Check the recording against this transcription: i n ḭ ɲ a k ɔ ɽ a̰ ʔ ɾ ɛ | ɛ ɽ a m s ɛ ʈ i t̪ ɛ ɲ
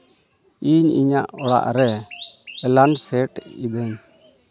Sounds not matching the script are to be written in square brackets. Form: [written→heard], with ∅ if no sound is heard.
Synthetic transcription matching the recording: i [n→ɲ] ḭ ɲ a [k→ʔ] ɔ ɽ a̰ ʔ ɾ ɛ | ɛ [ɽ→l] a [m→n] s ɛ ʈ i [t̪→d̪] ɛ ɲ